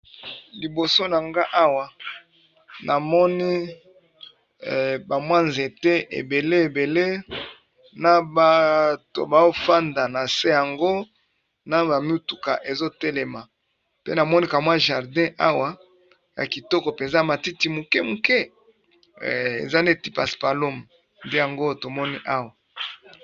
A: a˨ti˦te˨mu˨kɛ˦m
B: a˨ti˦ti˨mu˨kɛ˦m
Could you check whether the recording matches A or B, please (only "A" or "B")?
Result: B